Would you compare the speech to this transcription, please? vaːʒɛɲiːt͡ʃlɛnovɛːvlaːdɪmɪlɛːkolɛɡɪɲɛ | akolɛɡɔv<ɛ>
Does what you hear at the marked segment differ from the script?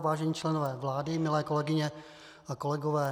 yes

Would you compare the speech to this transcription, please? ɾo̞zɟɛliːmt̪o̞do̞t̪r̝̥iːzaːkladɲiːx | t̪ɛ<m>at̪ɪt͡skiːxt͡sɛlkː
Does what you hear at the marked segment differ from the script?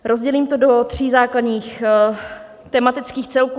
no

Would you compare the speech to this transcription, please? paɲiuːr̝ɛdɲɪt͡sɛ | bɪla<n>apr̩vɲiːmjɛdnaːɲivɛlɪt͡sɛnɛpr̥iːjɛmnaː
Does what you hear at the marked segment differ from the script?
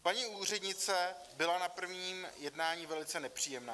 no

